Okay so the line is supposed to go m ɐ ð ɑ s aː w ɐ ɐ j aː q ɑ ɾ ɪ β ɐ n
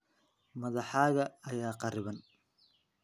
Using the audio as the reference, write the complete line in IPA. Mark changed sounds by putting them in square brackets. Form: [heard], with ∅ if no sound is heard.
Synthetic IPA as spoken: m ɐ ð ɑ [ħ] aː [ɣ] ɐ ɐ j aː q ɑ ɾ ɪ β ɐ n